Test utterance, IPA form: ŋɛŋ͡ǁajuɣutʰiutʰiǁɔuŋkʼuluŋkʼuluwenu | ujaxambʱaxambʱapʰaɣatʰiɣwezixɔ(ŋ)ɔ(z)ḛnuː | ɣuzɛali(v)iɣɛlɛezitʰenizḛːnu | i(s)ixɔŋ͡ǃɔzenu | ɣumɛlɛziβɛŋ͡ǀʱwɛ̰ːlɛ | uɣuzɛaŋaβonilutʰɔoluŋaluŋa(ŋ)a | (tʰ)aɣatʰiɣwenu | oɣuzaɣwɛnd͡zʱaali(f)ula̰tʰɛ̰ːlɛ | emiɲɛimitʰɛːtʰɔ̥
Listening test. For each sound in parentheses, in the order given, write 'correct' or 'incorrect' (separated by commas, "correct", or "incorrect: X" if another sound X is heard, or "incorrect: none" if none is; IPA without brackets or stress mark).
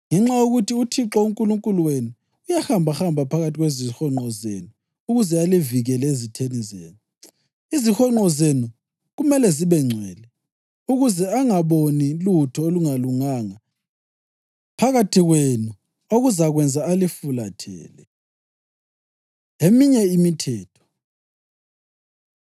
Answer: incorrect: ŋ͡ǃ, correct, correct, incorrect: z, correct, incorrect: pʰ, correct